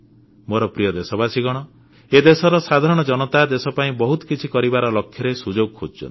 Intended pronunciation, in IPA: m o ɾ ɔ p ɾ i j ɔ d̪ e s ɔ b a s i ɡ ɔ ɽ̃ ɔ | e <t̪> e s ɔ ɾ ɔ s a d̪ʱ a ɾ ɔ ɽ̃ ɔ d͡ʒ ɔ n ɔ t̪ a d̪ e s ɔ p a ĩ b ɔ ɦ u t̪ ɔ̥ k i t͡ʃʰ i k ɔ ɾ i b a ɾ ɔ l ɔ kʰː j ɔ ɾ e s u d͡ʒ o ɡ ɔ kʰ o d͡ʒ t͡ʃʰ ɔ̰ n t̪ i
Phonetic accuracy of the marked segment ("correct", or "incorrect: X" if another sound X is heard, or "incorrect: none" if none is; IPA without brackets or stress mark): incorrect: d̪